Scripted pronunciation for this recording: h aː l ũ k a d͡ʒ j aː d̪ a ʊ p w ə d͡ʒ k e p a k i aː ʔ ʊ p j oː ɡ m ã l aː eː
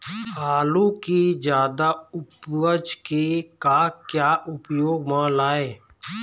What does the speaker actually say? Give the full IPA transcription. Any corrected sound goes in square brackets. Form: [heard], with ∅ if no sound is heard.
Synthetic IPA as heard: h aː l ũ k [i] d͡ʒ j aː d̪ a ʊ p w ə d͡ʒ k e [k] a k [j] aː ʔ ʊ p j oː ɡ m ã l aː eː